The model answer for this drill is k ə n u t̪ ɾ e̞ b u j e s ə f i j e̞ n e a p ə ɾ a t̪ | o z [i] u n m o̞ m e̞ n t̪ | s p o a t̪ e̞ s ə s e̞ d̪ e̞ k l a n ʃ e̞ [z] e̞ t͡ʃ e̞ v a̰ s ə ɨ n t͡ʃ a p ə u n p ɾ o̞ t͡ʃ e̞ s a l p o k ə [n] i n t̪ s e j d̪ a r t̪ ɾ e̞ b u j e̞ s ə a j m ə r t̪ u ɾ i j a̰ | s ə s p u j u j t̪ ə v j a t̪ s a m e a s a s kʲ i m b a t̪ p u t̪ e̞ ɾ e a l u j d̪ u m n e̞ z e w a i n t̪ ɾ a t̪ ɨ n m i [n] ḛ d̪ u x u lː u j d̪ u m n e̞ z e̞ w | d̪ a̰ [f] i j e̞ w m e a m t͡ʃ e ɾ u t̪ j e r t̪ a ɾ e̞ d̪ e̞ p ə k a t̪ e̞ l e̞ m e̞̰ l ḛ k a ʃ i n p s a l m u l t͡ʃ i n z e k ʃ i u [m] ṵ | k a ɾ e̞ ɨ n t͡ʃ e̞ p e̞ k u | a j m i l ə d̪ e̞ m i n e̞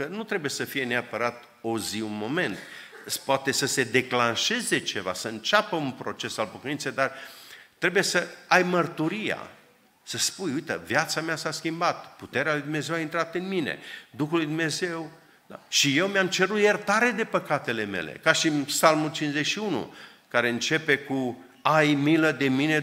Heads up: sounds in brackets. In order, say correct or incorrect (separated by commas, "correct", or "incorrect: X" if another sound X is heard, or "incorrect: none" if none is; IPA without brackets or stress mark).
correct, correct, correct, correct, incorrect: ʃ, incorrect: n